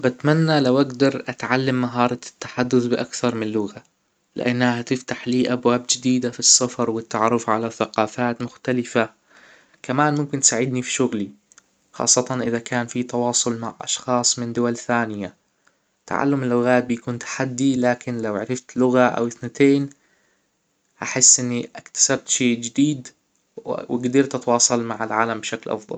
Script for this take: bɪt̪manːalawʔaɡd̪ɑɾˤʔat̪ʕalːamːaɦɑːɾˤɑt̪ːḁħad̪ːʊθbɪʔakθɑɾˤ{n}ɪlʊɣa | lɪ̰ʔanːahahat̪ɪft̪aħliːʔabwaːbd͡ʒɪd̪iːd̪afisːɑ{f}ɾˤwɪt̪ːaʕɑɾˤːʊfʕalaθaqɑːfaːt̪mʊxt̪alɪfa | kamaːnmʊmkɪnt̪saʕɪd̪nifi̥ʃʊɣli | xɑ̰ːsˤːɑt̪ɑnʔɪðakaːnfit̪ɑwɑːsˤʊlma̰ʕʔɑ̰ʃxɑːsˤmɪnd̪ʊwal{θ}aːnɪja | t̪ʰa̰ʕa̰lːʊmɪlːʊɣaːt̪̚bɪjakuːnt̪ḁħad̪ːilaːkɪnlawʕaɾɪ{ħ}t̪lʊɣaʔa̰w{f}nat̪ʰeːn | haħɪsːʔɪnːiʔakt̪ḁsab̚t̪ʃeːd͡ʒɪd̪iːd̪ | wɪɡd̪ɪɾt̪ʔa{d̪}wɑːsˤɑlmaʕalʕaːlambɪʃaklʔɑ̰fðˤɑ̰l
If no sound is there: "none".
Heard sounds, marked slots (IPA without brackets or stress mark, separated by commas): m, f, θ, f, θ, t̪